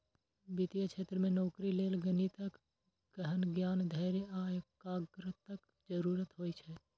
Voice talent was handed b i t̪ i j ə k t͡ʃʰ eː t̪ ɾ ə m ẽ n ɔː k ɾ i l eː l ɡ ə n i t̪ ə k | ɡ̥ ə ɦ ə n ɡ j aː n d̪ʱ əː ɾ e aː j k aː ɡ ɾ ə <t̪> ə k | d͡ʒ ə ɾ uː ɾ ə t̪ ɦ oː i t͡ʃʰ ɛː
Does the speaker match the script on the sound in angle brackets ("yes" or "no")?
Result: yes